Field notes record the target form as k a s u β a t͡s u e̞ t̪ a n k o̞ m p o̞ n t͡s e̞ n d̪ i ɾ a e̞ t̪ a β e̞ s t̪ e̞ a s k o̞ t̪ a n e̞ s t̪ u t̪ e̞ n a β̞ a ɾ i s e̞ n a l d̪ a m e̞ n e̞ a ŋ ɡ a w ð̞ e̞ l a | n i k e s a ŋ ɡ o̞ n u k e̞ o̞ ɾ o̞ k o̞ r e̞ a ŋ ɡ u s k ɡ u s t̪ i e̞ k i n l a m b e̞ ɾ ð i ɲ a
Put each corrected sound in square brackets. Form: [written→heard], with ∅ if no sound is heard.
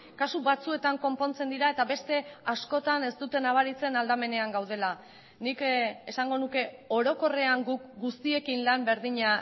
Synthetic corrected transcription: k a s u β a t͡s u e̞ t̪ a [n→ŋ] k o̞ m p o̞ n t͡s e̞ n d̪ i ɾ a e̞ t̪ a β e̞ s t̪ e̞ a s k o̞ t̪ a n e̞ s t̪ u t̪ e̞ n a β̞ a ɾ i [s→t͡s] e̞ n a l d̪ a m e̞ n e̞ a ŋ ɡ a w ð̞ e̞ l a | n i k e s a ŋ ɡ o̞ n u k e̞ o̞ ɾ o̞ k o̞ r e̞ a ŋ ɡ u [s→∅] k ɡ u s t̪ i e̞ k i n l a m b e̞ ɾ ð i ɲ a